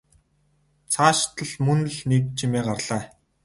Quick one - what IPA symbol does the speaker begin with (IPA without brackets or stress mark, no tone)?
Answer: t͡sʰ